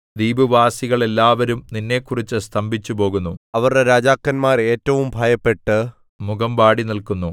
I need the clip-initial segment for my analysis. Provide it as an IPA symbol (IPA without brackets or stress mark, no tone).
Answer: d̪